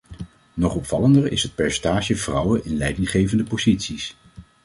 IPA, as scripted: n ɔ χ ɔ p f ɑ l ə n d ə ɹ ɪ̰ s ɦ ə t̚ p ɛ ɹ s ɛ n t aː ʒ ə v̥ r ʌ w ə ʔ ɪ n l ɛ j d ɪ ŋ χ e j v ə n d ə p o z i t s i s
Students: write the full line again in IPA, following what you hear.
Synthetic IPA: n ɔ χ ɔ p f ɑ l ə n d ə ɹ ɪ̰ s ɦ ə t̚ p ɛ ɹ s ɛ n t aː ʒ ə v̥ r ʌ w ə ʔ ɪ n l ɛ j d ɪ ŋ χ e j v ə n d ə p o z i t s i s